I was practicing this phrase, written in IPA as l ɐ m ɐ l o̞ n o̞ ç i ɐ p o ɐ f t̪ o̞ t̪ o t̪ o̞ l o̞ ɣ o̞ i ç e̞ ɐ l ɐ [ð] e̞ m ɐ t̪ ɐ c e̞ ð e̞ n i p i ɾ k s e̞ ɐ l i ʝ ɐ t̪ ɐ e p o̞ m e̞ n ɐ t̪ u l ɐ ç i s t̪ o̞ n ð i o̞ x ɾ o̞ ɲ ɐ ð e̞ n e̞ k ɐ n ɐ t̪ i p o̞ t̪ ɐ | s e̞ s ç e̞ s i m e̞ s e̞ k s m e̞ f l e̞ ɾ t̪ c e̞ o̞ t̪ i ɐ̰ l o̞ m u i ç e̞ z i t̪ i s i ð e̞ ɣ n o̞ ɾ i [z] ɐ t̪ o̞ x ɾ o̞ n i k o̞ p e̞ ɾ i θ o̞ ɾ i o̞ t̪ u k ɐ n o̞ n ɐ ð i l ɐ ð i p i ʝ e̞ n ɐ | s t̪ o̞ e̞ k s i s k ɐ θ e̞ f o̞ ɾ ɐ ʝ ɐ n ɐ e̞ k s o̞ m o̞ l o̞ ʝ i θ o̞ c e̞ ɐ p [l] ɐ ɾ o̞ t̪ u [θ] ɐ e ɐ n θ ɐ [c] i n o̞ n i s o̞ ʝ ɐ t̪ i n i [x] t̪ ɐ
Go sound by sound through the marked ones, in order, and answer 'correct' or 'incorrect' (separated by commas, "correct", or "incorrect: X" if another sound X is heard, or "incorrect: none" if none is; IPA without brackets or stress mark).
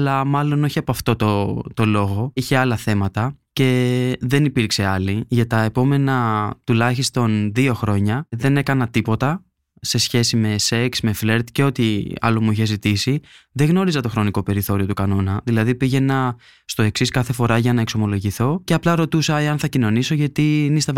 incorrect: θ, correct, correct, incorrect: s, correct, incorrect: s